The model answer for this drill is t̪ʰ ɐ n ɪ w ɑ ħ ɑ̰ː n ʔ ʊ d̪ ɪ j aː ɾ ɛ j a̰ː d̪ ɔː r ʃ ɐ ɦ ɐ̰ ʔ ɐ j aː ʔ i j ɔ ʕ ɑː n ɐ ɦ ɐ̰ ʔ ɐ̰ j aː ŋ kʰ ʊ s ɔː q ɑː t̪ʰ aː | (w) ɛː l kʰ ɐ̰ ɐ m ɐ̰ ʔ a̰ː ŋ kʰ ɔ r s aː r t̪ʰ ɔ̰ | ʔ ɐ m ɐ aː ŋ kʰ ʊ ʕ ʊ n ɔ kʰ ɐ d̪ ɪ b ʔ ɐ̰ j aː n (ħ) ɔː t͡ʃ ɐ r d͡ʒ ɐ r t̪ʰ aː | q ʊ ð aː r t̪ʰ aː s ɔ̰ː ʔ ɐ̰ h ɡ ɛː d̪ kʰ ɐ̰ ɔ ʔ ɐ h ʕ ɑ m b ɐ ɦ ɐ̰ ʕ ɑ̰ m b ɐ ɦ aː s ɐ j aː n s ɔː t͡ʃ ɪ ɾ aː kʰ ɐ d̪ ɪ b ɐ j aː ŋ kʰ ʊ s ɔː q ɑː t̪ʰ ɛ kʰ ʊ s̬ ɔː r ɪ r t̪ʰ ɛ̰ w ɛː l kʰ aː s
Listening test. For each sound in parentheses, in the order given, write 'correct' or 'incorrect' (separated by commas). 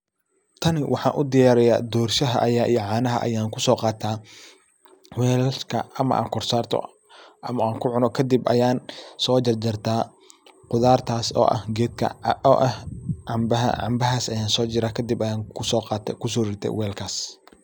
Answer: correct, incorrect